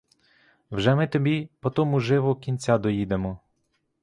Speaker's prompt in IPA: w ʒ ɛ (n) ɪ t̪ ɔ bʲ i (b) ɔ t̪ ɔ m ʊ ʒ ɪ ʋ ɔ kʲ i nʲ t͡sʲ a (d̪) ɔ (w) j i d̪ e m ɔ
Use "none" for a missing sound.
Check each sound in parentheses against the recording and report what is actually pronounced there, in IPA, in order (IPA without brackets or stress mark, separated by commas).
m, p, d̪, none